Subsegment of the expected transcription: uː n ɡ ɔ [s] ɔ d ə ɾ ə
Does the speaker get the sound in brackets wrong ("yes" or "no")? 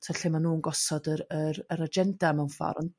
no